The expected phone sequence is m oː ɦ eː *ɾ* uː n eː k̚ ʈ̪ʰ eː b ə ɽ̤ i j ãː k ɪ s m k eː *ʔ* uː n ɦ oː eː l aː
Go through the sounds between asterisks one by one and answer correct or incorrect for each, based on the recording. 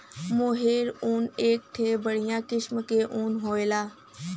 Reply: correct, correct

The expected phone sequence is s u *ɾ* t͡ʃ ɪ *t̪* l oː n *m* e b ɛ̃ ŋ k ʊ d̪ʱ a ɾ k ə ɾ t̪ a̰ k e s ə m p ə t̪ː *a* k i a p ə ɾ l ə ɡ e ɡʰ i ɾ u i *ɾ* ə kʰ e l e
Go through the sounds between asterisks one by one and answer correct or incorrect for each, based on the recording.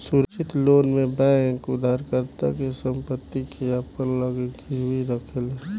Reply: correct, correct, correct, incorrect, correct

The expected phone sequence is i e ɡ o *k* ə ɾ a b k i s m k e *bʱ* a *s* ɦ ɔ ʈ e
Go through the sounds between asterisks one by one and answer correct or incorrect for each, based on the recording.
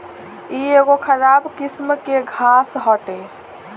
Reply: incorrect, incorrect, correct

